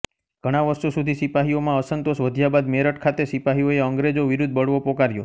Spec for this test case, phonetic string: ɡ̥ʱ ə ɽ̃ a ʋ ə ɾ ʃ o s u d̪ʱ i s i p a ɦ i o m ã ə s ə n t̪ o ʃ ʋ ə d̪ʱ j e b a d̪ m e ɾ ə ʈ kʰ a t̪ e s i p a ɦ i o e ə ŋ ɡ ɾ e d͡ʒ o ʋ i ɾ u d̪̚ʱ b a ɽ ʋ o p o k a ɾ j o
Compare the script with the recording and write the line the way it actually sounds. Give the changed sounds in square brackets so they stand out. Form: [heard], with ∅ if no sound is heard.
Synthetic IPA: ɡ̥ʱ ə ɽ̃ a ʋ ə ɾ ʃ o s u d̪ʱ i s i p a ɦ i o m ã ə s ə n t̪ o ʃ ʋ ə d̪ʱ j [a] b a d̪ m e ɾ ə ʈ kʰ a t̪ e s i p a ɦ i o e ə ŋ ɡ ɾ e d͡ʒ o ʋ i ɾ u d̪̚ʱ b [ə] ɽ ʋ o p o k a ɾ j o